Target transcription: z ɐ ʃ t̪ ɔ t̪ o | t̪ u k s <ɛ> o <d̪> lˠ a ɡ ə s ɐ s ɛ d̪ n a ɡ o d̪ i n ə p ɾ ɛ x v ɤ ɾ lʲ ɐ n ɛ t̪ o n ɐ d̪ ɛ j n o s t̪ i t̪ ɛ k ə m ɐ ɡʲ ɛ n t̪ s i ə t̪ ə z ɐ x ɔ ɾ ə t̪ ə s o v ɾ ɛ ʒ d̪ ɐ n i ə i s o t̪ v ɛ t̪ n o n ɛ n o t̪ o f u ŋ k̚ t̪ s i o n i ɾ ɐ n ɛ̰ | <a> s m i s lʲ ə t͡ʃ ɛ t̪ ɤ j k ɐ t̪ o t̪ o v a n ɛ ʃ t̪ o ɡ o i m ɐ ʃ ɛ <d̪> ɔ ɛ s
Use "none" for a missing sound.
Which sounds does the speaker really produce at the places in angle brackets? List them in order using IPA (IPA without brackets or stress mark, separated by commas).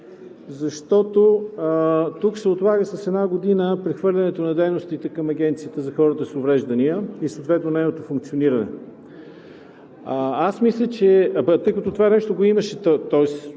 ɛ, t̪, a, t̪